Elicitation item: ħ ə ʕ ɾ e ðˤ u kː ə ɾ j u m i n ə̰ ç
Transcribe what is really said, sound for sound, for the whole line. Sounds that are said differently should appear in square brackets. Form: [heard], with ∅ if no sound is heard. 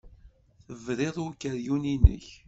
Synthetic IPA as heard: [θ] ə [v] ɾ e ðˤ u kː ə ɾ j u [n] i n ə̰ ç